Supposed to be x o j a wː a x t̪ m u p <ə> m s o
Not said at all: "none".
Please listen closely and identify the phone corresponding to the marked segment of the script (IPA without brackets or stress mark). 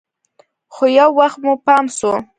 ɑ